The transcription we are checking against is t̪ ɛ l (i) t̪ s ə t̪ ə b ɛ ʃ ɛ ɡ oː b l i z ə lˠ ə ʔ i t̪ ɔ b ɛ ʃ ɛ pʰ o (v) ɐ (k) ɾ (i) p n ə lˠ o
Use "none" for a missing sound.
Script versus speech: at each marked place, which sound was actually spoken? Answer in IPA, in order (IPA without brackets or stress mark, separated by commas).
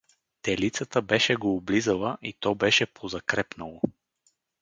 i, z, k, ɛ